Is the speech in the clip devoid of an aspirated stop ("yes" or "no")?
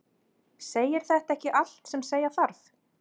yes